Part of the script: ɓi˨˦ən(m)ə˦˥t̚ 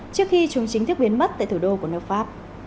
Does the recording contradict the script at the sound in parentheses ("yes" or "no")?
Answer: no